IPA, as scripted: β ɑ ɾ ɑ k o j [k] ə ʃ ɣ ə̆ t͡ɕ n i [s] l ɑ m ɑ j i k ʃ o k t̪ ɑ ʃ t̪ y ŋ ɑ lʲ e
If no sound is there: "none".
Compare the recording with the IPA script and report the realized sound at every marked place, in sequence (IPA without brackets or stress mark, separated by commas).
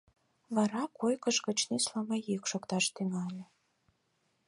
k, s